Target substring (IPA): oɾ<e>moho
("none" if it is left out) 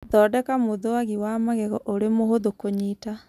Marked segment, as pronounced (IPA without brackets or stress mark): e